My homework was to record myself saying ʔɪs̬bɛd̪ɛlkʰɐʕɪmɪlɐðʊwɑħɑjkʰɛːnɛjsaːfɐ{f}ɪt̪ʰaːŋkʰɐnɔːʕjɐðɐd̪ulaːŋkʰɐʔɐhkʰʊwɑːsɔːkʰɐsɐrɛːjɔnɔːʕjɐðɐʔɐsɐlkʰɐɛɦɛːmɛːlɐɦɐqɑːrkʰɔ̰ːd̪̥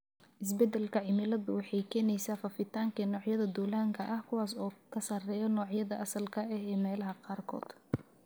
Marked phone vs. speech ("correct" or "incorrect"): correct